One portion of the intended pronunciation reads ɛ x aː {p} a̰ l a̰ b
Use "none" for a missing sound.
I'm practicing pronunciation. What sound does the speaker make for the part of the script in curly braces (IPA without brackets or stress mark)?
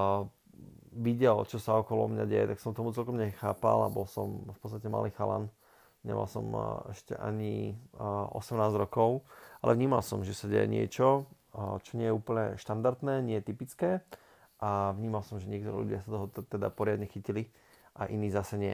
p